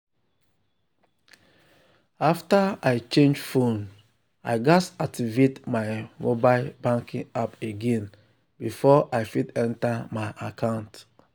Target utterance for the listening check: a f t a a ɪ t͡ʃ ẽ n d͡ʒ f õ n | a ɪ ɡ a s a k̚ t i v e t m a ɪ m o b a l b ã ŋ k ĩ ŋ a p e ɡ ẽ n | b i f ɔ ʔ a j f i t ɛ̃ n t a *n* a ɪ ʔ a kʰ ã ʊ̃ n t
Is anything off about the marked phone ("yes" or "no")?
yes